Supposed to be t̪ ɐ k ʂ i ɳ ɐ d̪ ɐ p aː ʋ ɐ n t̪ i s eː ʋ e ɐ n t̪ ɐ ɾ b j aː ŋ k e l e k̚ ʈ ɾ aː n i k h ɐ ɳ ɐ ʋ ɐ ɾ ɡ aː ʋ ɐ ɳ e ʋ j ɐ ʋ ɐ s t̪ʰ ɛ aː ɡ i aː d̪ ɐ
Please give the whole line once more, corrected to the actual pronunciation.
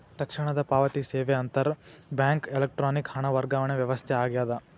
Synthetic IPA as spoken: t̪ ɐ k ʂ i ɳ ɐ d̪ ɐ p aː ʋ ɐ t̪ i s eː ʋ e ɐ n t̪ ɐ ɾ b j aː ŋ k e l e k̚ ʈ ɾ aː n i k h ɐ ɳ ɐ ʋ ɐ ɾ ɡ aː ʋ ɐ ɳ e ʋ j ɐ ʋ ɐ s t̪ʰ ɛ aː ɡ j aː d̪ ɐ